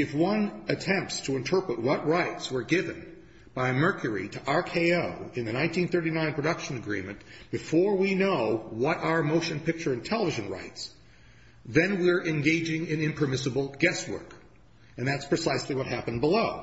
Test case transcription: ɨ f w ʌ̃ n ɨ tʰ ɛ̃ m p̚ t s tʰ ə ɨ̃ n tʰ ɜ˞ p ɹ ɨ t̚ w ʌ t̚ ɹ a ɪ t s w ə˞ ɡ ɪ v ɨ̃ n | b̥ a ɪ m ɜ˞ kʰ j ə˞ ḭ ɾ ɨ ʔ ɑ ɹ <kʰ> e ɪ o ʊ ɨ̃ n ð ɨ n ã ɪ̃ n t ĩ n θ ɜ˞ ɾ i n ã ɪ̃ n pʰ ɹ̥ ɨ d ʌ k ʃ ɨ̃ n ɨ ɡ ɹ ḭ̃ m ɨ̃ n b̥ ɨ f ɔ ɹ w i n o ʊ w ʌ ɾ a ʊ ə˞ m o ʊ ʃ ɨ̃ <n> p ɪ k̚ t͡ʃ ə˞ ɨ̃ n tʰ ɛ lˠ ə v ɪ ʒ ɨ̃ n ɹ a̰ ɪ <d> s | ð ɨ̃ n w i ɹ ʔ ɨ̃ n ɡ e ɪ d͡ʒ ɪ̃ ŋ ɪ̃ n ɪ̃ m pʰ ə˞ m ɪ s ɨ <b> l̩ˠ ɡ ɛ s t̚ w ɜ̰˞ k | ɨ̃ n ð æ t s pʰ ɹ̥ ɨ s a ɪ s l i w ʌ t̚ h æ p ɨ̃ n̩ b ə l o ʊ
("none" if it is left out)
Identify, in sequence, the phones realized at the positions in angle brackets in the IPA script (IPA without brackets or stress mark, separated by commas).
kʰ, n, t, b